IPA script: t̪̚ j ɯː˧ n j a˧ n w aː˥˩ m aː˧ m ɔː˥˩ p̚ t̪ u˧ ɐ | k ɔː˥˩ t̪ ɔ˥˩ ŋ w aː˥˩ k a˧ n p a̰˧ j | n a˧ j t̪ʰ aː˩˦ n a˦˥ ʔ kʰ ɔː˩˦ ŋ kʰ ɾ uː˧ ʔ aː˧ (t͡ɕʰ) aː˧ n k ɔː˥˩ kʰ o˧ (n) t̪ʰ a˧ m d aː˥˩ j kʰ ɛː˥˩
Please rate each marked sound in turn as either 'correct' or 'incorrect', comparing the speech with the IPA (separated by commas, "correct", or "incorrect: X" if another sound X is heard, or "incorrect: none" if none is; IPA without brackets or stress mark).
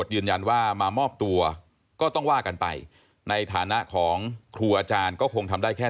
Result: incorrect: t͡ɕ, incorrect: ŋ